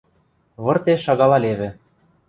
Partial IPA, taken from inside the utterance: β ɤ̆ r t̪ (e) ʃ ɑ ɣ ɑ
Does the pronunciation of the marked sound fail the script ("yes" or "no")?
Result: no